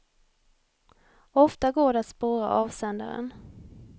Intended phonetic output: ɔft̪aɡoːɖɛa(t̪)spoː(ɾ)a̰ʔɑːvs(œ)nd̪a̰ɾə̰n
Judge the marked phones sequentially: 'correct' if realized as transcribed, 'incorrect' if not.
correct, correct, incorrect: ɛ

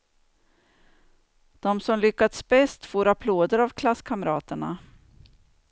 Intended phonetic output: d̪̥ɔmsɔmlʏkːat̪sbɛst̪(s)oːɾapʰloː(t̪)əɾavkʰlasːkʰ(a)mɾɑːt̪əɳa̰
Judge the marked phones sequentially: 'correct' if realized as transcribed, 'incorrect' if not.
incorrect: f, incorrect: d̪, correct

